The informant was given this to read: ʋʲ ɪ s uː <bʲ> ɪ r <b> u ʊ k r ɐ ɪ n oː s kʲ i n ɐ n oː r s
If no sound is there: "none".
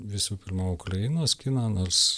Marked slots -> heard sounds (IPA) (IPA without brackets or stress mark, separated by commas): pʲ, m